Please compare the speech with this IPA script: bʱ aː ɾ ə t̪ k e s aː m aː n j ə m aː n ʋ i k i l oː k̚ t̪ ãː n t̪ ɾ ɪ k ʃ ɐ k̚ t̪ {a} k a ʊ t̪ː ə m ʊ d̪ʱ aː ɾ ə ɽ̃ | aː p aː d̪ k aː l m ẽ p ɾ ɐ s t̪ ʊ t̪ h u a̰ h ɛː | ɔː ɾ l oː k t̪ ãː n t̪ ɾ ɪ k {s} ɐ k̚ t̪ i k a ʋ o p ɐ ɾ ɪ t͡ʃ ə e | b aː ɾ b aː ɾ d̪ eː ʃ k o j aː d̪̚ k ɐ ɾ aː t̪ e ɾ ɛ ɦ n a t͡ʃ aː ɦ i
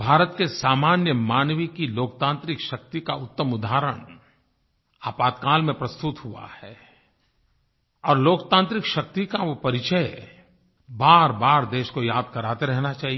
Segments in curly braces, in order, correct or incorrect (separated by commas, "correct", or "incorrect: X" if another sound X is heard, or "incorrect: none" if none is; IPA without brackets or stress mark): incorrect: i, incorrect: ʃ